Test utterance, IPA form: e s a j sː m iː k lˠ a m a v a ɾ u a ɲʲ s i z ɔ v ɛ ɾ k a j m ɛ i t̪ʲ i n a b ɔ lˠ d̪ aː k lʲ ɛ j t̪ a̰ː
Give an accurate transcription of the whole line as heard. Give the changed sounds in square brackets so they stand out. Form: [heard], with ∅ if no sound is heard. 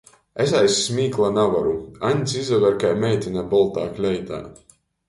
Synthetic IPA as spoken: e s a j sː m iː k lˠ a [n] a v a ɾ u a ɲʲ s i z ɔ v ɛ ɾ k a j m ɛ [j] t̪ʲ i n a b ɔ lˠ [t̪] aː k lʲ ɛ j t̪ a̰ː